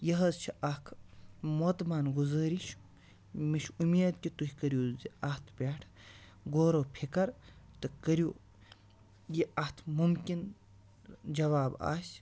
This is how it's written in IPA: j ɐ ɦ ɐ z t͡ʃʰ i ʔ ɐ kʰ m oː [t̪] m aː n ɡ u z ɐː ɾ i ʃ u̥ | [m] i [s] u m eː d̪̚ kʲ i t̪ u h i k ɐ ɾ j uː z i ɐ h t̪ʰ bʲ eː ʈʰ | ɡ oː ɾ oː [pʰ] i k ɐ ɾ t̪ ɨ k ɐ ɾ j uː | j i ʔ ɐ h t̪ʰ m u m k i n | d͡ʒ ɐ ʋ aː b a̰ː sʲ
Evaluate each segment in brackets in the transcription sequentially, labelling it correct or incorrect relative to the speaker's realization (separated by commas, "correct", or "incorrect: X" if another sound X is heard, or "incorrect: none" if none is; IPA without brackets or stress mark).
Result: correct, correct, incorrect: ʃ, correct